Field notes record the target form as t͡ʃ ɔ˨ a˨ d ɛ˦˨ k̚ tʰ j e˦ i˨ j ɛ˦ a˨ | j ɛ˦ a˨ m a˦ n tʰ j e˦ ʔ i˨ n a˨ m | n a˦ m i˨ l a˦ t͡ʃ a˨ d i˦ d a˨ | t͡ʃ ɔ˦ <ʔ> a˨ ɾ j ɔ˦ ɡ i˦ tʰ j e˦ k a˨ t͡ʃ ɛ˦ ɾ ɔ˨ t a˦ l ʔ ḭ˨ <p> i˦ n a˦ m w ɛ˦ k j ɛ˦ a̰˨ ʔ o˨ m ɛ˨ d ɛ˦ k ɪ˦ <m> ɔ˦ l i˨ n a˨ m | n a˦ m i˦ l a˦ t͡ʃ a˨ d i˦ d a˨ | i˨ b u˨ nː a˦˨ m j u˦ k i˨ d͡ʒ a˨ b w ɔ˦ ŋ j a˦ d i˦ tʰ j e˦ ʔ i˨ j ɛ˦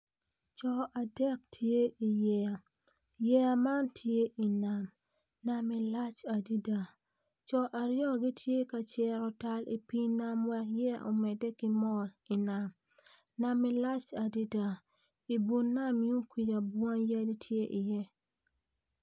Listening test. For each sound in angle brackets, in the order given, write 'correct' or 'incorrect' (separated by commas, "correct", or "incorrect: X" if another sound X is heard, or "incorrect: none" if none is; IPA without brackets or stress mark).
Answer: correct, correct, correct